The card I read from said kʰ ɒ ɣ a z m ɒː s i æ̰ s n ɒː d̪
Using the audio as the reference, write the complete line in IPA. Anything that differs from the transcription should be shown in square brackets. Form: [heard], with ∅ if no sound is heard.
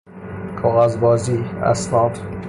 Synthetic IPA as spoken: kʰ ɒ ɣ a z [b] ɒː [z] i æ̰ s n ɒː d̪